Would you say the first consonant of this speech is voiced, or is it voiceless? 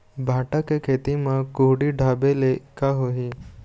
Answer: voiced